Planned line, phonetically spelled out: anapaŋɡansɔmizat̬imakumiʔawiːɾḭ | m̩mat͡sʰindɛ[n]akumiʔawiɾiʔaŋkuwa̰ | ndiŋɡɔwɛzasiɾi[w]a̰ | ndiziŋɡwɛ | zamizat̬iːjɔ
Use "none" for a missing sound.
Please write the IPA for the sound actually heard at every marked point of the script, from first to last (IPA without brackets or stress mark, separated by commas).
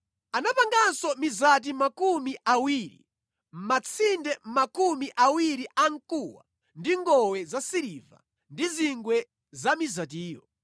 m, v